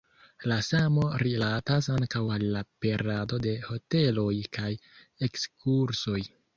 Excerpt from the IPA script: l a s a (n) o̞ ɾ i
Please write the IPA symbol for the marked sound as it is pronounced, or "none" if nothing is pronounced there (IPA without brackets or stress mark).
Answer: m